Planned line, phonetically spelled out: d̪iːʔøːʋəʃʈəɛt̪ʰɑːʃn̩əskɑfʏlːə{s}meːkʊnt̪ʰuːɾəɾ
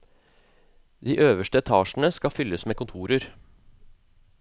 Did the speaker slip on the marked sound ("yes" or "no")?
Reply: no